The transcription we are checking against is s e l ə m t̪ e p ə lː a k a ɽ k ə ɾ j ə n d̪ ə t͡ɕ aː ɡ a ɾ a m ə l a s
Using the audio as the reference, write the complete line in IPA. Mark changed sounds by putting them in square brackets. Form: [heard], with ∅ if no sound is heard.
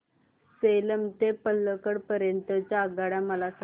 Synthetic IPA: s e l ə m t̪ e p ə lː [ə] k [ə] ɽ [p] ə ɾ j ə n [t̪] ə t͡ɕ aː ɡ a [ɽ] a m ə l a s